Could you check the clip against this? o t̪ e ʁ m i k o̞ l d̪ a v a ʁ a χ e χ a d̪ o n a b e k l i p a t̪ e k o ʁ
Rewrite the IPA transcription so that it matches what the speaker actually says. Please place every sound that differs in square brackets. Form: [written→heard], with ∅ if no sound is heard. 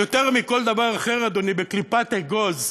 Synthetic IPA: o t̪ e ʁ m i k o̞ l d̪ a v a ʁ a χ e [χ→ʁ] a d̪ o n [a→i] b e k l i p a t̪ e [k→ɡ] o [ʁ→z]